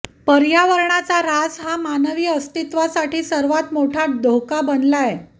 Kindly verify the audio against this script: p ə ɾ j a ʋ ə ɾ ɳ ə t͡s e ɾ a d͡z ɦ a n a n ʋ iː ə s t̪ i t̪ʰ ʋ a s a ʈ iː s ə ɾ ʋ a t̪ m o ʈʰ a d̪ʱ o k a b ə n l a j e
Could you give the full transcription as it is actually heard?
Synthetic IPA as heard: p ə ɾ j a ʋ ə ɾ ɳ a t͡s a ɾ a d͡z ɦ a m a n ʋ iː ə s t̪ i t̪ ʋ a s a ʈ iː s ə ɾ ʋ a t̪ m o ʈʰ a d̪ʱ o k a b ə n l a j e